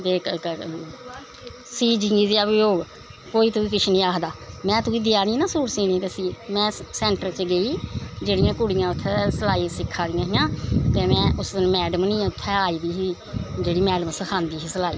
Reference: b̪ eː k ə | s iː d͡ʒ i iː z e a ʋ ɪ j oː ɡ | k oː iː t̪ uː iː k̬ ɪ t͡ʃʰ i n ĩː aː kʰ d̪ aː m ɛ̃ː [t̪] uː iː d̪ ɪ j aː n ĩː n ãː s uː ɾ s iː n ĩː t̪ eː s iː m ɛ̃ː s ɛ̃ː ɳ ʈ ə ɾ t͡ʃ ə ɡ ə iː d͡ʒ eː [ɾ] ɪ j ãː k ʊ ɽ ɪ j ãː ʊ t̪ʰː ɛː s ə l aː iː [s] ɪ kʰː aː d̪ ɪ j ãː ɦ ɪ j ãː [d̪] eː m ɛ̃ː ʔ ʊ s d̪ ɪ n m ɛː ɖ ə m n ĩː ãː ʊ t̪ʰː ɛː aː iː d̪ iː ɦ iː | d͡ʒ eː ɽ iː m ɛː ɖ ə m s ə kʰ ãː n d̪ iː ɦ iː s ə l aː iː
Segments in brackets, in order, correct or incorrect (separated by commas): correct, incorrect, correct, incorrect